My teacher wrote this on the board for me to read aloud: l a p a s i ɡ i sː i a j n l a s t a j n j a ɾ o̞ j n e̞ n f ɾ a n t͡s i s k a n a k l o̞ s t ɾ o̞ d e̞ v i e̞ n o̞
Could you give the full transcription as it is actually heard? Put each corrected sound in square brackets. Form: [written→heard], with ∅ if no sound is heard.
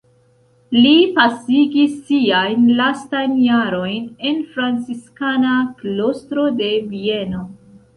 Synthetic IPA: l [a→i] p a s i ɡ i sː i a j n l a s t a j n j a ɾ o̞ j n e̞ n f ɾ a n t͡s i s k a n a k l o̞ s t ɾ o̞ d e̞ v i e̞ n o̞